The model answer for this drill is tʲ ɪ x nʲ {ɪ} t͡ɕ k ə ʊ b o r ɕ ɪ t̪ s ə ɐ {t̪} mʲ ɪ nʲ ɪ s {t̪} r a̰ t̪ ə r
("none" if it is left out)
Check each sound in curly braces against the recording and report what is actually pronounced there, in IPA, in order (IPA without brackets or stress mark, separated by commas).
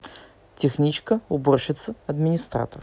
i, d̪, t̪